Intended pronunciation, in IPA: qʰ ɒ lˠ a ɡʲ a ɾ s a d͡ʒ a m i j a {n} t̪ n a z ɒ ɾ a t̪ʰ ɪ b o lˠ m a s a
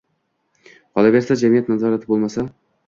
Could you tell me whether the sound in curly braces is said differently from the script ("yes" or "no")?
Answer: yes